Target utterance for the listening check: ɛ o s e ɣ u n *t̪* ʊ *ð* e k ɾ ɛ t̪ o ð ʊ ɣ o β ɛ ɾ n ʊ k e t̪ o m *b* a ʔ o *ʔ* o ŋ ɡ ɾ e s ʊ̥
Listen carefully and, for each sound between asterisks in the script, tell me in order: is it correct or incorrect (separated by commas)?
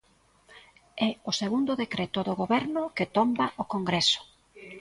incorrect, correct, correct, incorrect